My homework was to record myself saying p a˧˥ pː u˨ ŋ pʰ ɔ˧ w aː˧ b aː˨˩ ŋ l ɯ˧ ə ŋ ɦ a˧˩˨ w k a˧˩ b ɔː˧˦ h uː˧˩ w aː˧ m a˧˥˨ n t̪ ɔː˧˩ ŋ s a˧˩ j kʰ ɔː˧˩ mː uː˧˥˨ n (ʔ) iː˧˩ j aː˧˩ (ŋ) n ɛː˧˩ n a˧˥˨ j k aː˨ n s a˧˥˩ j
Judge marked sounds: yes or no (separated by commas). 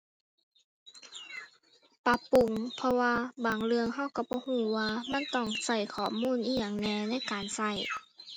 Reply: yes, yes